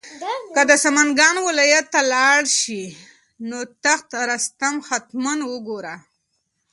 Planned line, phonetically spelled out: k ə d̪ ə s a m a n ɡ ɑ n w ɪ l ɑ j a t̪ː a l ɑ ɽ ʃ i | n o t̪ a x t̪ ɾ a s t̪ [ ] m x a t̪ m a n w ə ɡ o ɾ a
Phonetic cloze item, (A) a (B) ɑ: A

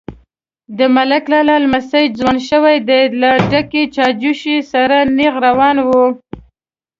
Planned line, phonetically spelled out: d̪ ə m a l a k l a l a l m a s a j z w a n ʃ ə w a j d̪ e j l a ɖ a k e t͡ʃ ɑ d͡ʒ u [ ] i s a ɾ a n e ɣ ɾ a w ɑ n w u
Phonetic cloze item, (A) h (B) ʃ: B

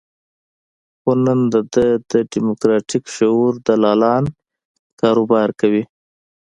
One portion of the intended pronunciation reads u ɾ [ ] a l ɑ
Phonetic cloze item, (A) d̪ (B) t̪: A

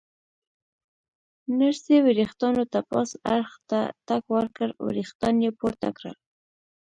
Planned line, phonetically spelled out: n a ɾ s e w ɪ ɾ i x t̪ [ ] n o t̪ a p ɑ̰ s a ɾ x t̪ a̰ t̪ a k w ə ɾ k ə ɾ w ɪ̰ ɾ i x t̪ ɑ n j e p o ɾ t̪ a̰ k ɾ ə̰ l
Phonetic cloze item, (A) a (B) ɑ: B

